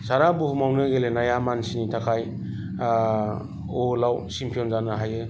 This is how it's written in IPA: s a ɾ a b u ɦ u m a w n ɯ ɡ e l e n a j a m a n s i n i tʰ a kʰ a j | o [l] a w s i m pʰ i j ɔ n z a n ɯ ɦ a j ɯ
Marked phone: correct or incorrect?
correct